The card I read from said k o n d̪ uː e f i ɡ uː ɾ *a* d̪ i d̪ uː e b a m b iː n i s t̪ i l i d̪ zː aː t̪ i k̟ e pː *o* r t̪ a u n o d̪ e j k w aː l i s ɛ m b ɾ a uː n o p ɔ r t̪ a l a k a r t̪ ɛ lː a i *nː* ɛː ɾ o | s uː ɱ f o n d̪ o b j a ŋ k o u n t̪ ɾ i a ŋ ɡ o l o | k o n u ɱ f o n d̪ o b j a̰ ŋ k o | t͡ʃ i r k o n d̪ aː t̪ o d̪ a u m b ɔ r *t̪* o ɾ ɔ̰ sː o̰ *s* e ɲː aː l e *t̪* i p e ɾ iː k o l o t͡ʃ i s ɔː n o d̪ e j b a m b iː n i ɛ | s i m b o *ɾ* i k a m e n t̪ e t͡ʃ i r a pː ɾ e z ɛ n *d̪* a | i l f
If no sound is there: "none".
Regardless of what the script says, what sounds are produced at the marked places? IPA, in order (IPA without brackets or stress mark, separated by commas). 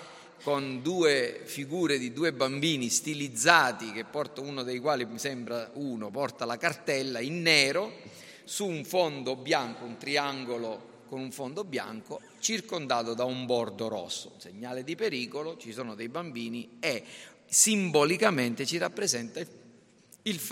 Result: e, ɔ, nː, d̪, s, d̪, l, t̪